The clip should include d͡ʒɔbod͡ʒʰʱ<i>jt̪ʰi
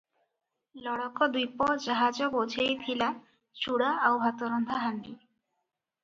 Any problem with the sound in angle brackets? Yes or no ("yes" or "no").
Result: yes